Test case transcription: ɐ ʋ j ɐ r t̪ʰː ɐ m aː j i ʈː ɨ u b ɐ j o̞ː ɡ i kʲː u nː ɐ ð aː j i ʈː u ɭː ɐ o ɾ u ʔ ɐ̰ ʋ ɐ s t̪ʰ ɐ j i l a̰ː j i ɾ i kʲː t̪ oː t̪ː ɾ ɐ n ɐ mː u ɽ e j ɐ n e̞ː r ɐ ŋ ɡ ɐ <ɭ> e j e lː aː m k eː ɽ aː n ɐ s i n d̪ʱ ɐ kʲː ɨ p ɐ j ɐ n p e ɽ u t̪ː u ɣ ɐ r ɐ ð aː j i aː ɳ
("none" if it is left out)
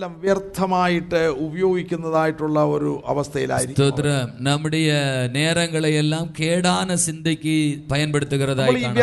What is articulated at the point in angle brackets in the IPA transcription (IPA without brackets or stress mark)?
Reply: ɭ